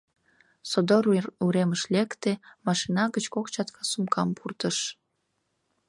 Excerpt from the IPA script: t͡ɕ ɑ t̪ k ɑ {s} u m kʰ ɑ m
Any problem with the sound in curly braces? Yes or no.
no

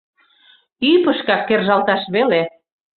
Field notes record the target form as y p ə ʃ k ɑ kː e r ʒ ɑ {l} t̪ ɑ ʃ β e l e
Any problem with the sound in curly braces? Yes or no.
no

